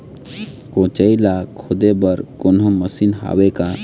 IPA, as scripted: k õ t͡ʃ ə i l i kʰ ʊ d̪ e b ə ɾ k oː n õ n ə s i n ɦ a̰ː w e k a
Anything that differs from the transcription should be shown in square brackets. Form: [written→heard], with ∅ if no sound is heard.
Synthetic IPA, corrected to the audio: k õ t͡ʃ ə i l [i→a] kʰ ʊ d̪ e b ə ɾ k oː n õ [n→m] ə s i n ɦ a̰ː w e k a